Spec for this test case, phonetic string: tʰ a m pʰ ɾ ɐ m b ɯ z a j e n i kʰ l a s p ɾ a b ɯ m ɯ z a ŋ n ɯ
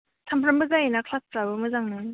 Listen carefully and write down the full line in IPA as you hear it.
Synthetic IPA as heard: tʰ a m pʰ ɾ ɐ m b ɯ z a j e n a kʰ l a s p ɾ a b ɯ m ɯ z a ŋ n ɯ

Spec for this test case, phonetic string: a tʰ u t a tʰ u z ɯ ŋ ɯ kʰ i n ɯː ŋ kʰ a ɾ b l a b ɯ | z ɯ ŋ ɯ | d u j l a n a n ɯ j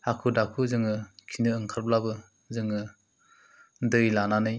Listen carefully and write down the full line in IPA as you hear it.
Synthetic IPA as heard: a kʰ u d a kʰ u z ɯ ŋ ɯ kʰ i n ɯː ŋ kʰ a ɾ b l a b ɯ | z ɯ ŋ ɯ | d ɯ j l a n a n ɯ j

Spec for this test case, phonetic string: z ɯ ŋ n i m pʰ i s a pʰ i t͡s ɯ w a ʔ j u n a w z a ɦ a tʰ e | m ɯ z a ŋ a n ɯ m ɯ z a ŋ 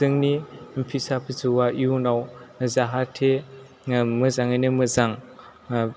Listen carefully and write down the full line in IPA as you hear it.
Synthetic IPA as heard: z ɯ ŋ n i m pʰ i s a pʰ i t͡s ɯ w a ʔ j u n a w z a ɦ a tʰ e | m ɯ z a ŋ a n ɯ m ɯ z a ŋ

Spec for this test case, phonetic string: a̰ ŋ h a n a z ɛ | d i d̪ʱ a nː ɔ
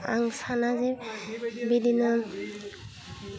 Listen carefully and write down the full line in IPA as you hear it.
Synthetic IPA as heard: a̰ ŋ s a n a z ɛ | b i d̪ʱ i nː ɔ

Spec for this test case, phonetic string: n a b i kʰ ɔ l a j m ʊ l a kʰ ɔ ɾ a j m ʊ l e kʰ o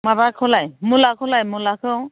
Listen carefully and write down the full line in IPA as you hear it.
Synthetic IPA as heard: m a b a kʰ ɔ l a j m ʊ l a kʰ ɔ l a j m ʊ l a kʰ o

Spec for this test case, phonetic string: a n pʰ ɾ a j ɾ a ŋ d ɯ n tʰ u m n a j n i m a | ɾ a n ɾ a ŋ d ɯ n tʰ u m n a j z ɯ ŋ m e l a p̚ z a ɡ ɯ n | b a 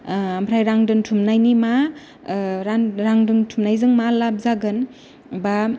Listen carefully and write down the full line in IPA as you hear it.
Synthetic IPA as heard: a m pʰ ɾ a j ɾ a ŋ d ɯ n tʰ u m n a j n i m a | ɾ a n ɾ a ŋ d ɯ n tʰ u m n a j z ɯ ŋ m a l a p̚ z a ɡ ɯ n | b a

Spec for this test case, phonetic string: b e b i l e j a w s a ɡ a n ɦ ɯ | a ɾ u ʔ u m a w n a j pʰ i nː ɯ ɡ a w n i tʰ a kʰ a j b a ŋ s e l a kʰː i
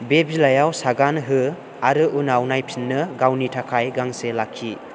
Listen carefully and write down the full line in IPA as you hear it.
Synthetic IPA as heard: b e b i l a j a w s a ɡ a n ɦ ɯ | a ɾ ɯ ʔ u n a w n a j pʰ i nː ɯ ɡ a w n i tʰ a kʰ a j ɡ a ŋ s e l a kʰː i

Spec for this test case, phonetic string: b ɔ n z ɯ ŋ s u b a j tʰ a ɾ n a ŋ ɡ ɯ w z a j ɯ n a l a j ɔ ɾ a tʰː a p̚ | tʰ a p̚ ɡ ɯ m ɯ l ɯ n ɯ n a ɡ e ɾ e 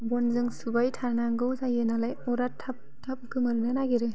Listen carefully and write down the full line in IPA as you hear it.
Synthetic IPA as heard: b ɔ n z ɯ ŋ s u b a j tʰ a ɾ n a ŋ ɡ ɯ w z a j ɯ n a l a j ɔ ɾ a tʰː a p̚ | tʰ a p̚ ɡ ɯ m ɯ ɾ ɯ n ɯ n a ɡ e ɾ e

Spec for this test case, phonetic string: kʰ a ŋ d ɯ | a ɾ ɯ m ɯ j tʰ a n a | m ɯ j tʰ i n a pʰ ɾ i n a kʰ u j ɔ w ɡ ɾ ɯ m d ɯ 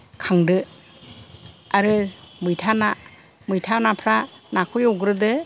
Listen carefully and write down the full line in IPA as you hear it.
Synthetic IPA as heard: kʰ a ŋ d ɯ | a ɾ ɯ m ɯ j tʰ a n a | m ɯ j tʰ a n a pʰ ɾ a n a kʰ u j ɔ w ɡ ɾ ɯ d ɯ

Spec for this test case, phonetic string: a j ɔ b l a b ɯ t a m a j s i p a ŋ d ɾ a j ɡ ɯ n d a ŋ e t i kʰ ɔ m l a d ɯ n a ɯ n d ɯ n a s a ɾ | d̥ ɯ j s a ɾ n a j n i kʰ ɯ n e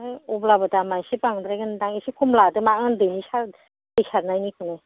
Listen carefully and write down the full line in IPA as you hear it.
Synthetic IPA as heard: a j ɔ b l a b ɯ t a m a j s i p a ŋ d ɾ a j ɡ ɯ n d a ŋ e s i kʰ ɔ m l a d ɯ m a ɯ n d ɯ n i s a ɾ | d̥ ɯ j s a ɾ n a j n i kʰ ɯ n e

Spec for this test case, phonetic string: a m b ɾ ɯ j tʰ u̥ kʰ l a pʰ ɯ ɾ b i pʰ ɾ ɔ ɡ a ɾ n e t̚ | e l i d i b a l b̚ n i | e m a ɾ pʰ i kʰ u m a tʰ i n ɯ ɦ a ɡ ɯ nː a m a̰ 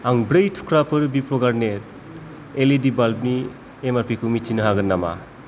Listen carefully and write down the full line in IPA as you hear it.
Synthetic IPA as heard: a ŋ b ɾ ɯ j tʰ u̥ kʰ ɾ a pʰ ɯ ɾ b i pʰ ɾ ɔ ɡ a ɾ n e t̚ | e l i d i b a l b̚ n i | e m a ɾ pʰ i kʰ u m i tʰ i n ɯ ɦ a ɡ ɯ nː a m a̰

